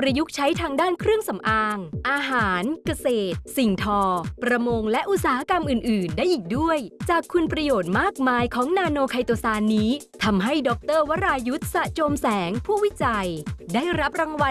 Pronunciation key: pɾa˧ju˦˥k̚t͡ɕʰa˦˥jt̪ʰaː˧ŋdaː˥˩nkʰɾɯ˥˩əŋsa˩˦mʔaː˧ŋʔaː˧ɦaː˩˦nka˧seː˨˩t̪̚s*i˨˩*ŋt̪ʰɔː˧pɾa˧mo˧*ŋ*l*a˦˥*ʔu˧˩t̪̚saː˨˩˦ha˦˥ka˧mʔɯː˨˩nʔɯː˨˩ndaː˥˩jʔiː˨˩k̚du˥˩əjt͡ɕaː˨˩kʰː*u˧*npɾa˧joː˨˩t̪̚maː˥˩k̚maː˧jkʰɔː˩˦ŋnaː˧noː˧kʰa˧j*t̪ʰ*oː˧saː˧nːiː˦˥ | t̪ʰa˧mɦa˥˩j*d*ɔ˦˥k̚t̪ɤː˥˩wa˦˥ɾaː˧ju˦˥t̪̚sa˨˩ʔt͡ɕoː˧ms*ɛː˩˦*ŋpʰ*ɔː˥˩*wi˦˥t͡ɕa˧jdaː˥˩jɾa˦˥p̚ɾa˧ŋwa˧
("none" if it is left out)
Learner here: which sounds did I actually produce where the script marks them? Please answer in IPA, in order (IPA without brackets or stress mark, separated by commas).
i˨˩, ŋ, ɛ˦˥, u˧, t̪, d, ɛː˩˦, uː˥˩